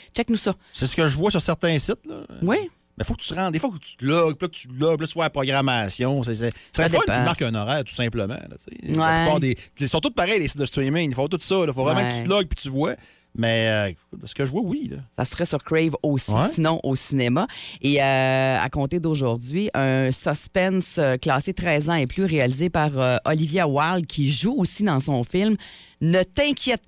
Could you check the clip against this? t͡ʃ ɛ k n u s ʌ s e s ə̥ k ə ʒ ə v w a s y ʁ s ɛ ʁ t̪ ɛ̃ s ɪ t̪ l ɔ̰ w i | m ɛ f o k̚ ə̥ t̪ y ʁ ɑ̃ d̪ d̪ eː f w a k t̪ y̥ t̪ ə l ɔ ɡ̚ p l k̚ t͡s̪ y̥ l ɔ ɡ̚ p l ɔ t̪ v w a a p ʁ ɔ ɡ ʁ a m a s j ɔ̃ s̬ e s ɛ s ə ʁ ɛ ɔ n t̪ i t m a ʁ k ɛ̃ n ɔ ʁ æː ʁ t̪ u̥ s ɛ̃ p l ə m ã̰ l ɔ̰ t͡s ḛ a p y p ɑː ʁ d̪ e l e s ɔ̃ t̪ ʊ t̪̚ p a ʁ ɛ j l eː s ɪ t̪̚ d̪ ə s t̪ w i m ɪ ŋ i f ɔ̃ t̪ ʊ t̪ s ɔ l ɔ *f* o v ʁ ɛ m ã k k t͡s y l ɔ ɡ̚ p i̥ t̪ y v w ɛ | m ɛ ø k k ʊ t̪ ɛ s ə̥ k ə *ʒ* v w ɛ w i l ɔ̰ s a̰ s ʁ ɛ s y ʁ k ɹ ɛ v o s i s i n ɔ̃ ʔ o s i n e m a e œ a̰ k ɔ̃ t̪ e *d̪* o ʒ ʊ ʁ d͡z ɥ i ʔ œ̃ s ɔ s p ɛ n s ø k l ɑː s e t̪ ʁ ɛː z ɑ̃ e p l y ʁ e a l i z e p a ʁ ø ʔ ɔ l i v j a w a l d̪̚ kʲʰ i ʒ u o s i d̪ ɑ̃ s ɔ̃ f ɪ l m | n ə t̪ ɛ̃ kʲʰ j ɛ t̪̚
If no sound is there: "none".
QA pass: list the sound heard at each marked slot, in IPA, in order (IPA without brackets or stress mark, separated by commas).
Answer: f, ʒ, d̪